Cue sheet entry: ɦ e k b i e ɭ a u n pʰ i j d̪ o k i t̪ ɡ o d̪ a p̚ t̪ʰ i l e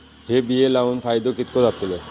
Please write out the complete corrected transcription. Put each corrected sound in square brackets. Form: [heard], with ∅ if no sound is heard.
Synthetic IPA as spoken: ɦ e [∅] b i e [l] a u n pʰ [a] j d̪ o k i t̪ [k] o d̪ a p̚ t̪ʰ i l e